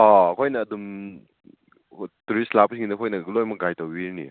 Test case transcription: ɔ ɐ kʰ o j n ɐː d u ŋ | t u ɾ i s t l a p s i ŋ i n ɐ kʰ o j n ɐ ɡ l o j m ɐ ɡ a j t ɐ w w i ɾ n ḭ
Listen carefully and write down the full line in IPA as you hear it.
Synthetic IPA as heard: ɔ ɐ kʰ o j n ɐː d u m | t u ɾ i s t l a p s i ŋ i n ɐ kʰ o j n ɐ ɡ l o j m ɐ ɡ a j t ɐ w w i ɾ n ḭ